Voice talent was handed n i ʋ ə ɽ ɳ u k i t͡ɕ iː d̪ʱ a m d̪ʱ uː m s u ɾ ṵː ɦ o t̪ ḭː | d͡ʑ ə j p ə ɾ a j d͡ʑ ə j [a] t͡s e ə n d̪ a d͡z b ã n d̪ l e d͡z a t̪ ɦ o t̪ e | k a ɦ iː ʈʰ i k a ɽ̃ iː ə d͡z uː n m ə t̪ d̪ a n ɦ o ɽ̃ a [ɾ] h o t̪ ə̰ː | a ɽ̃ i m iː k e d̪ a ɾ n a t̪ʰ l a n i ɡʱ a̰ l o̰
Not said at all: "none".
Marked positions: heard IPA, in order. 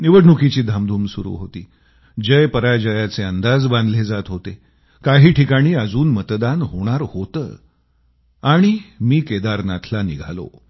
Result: a, ɾ

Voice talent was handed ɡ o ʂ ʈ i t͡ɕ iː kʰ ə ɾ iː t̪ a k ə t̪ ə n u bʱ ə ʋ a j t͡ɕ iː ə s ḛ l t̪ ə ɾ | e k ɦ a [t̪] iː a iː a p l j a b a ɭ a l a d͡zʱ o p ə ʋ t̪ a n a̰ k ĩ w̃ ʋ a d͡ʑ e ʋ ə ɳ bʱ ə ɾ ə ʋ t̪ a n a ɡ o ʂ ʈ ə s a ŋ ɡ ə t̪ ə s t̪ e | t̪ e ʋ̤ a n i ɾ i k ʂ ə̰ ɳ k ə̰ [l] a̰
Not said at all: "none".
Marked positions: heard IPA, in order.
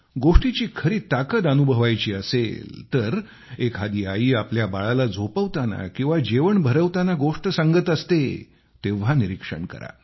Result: d̪, ɾ

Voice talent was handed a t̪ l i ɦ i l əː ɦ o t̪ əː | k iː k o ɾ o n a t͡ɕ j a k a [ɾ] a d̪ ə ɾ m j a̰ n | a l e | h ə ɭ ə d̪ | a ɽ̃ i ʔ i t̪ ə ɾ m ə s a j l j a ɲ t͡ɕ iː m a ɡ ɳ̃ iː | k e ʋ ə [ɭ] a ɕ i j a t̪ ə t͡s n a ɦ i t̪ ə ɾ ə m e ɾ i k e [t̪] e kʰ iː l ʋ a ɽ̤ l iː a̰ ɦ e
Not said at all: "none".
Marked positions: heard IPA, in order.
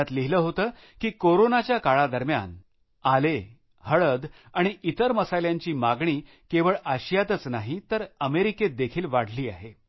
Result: ɭ, ɭ, d̪

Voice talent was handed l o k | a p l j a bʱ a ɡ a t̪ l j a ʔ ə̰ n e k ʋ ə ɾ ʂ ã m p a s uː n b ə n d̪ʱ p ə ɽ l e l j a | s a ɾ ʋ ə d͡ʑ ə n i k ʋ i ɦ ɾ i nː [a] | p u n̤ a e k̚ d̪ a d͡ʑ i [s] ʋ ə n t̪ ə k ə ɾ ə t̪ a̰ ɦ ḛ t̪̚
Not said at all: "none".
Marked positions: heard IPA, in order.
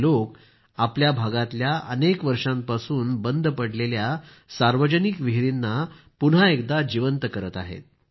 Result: a, none

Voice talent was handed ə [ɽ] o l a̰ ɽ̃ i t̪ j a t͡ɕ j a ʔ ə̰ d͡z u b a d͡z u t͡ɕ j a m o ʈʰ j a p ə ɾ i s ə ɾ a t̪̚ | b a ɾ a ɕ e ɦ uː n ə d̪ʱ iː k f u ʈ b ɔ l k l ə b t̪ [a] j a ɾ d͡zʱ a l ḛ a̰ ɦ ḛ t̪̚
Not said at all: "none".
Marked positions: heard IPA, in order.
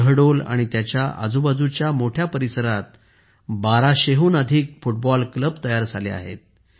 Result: ɽ, ə

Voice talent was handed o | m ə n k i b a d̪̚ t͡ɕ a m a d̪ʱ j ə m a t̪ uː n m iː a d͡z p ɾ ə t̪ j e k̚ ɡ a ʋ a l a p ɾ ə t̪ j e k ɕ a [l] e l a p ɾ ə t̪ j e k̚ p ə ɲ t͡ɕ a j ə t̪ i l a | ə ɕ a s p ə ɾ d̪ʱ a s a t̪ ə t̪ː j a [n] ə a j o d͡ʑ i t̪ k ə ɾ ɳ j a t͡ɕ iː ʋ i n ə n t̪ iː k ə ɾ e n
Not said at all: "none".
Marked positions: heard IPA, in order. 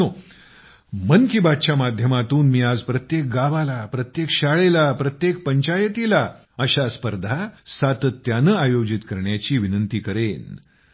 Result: ɭ, n

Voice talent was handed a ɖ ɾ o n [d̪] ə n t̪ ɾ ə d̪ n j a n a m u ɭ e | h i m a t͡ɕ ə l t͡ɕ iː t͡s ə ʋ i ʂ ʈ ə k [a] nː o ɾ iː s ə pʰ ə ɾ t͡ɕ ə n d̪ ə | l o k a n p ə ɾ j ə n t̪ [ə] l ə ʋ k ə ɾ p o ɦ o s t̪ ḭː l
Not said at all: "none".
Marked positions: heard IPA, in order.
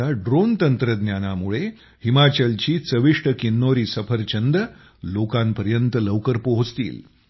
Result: t̪, i, ə

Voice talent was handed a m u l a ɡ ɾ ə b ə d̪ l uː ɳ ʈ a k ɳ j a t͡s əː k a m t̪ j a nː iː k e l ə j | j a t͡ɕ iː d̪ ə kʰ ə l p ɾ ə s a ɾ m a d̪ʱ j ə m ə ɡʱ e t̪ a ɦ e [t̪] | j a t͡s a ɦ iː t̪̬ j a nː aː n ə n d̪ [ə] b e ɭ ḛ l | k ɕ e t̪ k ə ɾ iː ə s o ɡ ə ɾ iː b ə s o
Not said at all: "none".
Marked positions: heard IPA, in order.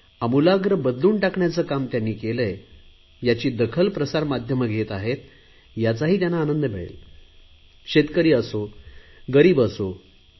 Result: t̪, ə

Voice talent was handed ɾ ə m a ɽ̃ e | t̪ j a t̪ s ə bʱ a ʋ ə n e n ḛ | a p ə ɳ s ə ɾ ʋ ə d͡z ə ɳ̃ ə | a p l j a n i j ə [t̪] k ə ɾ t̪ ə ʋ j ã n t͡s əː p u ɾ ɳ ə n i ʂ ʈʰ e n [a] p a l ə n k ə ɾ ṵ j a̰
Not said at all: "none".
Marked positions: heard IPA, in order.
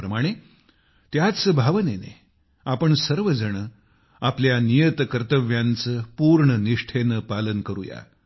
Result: t̪, ə

